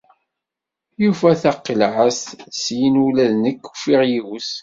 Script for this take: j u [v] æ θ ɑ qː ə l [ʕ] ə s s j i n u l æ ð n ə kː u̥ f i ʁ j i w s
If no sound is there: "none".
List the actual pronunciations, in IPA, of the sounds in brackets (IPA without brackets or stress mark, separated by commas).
f, ʕ